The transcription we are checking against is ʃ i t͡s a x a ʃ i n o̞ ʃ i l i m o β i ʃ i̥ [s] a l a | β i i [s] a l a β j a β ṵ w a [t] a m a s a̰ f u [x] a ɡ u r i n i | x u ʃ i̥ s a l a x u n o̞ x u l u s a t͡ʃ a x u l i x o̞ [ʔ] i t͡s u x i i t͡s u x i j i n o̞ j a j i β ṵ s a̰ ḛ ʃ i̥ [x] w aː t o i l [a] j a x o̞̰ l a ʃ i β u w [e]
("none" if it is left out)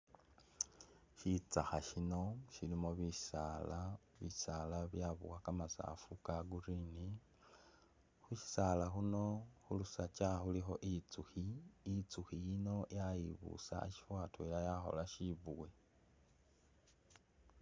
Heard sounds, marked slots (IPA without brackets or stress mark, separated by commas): s, s, k, k, ʔ, f, a, e